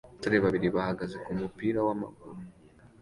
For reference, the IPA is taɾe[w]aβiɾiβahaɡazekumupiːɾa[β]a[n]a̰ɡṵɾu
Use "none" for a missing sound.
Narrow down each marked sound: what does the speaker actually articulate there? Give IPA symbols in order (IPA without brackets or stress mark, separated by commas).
β, w, m